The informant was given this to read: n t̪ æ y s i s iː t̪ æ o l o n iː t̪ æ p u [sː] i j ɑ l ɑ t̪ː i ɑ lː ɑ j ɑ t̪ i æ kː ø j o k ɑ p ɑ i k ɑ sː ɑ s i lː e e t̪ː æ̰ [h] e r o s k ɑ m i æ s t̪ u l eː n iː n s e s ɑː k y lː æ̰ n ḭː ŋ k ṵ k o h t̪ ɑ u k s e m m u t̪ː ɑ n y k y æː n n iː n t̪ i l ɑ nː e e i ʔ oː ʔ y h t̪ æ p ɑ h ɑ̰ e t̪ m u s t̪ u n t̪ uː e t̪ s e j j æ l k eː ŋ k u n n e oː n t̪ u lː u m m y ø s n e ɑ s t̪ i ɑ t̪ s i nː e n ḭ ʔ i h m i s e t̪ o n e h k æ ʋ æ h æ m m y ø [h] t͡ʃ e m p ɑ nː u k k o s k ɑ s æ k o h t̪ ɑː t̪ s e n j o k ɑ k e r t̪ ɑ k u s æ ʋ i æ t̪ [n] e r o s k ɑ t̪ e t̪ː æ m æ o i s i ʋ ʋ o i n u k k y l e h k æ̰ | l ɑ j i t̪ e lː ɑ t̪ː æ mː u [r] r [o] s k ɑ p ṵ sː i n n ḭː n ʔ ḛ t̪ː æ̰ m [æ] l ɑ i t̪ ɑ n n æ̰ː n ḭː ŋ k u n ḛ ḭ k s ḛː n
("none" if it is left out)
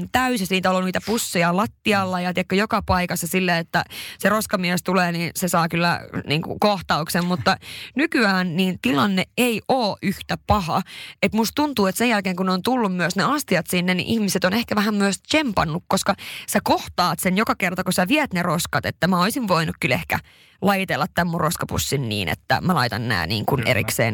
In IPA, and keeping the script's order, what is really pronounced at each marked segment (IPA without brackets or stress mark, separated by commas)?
sː, s, s, n, r, o, æ